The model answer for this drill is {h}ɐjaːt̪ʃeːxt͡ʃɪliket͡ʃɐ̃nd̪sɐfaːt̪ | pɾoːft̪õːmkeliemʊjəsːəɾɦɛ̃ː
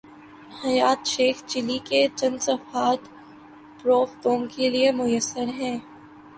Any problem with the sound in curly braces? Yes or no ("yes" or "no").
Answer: no